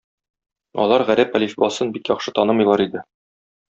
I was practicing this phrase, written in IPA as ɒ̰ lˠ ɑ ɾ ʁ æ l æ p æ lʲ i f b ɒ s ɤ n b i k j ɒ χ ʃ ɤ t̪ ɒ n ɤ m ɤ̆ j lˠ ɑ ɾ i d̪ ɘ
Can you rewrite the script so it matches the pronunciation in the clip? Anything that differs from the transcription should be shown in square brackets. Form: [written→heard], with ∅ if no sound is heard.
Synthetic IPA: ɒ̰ lˠ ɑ ɾ ʁ æ [l→ɾ] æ p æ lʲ i f b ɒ s ɤ n b i k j ɒ χ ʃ ɤ t̪ ɒ n ɤ m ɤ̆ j lˠ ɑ ɾ i d̪ ɘ